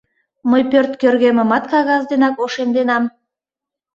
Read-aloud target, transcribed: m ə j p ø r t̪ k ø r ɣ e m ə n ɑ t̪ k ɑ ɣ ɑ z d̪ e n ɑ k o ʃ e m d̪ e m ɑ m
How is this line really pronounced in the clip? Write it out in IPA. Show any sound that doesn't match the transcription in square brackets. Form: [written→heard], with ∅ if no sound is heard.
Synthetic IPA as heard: m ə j p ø r t̪ k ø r ɣ e m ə [n→m] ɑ t̪ k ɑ ɣ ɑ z d̪ e n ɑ k o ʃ e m d̪ e [m→n] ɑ m